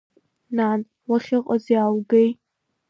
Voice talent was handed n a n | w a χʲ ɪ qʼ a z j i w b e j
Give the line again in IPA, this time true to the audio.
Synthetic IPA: n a n | w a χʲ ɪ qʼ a z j a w ɡ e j

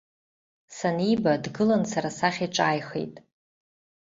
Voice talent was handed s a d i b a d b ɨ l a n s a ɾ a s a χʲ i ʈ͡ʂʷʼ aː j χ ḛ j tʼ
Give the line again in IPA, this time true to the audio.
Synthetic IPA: s a n i b a d ɡ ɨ l a n s a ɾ a s a χʲ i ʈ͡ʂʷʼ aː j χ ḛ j tʼ

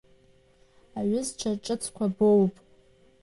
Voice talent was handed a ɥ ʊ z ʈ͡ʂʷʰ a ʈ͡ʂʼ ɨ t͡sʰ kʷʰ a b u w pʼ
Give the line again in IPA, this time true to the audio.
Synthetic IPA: a ɥ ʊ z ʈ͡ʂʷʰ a ʈ͡ʂʼ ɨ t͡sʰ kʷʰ a b o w pʼ

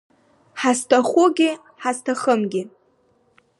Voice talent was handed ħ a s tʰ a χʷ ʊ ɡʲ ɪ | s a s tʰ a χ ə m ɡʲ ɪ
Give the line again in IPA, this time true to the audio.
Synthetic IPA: ħ a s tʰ a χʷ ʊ ɡʲ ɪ | ħ a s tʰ a χ ə m ɡʲ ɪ

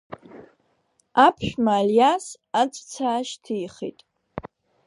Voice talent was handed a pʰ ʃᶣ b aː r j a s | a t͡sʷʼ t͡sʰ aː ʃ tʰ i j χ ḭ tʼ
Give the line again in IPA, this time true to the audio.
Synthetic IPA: a pʰ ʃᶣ m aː l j a s | a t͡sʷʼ t͡sʰ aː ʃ tʰ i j χ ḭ tʼ

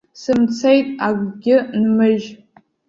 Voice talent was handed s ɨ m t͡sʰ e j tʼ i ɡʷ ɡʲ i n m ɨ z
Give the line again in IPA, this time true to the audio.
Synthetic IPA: s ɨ m t͡sʰ e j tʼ a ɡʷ ɡʲ ɪ n m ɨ ʒ

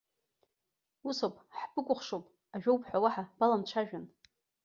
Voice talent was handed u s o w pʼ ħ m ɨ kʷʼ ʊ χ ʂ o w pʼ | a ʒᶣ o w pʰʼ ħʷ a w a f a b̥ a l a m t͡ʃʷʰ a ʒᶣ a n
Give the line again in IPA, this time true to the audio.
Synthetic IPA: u s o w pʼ ħ b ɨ kʷʼ ʊ χ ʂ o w pʼ | a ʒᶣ o w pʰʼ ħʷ a w a ħ a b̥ a l a m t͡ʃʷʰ a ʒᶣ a n

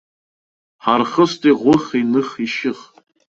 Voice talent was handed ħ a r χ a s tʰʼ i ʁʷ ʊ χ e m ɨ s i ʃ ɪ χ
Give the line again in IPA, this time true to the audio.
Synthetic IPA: ħ a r χ ə s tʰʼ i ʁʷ ʊ χ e n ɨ χ i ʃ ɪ χ

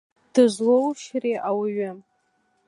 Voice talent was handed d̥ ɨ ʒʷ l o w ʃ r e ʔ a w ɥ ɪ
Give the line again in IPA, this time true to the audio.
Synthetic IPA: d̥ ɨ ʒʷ l o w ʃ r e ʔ a w ɥ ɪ

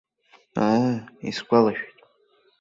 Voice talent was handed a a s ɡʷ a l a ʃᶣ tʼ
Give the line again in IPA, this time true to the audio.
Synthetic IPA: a i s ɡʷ a l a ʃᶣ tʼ

